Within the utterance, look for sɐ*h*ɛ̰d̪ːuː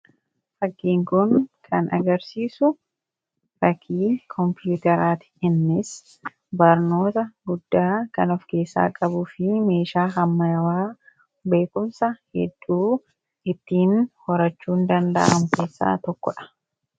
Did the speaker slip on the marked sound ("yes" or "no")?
no